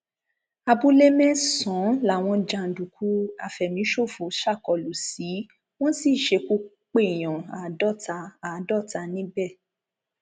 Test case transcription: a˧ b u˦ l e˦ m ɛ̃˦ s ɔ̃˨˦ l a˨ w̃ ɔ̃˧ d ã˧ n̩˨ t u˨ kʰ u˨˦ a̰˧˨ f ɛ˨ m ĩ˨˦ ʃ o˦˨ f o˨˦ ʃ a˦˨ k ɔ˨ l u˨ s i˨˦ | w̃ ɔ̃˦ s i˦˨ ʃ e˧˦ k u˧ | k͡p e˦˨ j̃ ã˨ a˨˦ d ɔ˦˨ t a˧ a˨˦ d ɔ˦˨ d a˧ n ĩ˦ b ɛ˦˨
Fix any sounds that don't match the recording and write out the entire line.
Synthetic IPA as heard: a˧ b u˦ l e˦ m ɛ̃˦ s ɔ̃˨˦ l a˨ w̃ ɔ̃˧ d͡ʒ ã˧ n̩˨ d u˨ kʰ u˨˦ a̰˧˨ f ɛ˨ m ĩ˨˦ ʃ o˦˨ f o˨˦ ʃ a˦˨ k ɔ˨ l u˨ s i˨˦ | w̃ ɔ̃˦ s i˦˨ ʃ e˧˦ k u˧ | k͡p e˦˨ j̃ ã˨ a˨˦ d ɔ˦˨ t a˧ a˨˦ d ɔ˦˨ t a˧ n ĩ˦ b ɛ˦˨